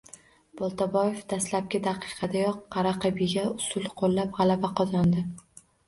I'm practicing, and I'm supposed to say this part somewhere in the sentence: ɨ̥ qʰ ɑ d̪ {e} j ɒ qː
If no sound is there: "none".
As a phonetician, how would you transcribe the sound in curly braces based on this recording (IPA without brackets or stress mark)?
a